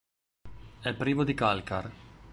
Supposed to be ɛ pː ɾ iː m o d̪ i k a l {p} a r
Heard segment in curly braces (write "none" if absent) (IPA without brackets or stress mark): k